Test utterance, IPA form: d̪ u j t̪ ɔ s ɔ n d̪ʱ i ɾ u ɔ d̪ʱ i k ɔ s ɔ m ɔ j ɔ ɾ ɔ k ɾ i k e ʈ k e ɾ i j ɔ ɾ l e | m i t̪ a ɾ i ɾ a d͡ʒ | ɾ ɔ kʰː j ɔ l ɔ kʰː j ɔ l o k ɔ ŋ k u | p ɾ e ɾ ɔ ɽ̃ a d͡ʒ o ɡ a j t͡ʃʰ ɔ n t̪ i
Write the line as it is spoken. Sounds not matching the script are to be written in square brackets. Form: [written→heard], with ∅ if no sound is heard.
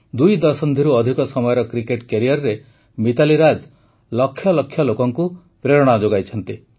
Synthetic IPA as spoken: d̪ u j [t̪→d̪] ɔ s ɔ n d̪ʱ i ɾ u ɔ d̪ʱ i k ɔ s ɔ m ɔ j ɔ ɾ ɔ k ɾ i k e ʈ k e ɾ i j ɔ ɾ [l→ɾ] e | m i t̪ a [ɾ→l] i ɾ a d͡ʒ | [ɾ→l] ɔ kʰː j ɔ l ɔ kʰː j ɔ l o k ɔ ŋ k u | p ɾ e ɾ ɔ ɽ̃ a d͡ʒ o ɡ a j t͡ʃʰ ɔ n t̪ i